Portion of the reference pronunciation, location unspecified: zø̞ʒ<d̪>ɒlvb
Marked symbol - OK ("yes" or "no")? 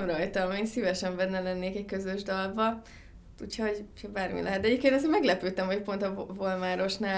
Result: yes